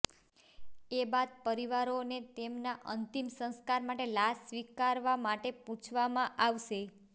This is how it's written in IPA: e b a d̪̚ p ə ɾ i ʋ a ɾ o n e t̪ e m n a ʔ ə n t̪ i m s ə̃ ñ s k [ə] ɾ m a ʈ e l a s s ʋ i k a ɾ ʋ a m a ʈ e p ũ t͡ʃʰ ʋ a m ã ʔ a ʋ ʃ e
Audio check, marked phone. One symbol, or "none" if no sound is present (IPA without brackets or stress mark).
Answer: a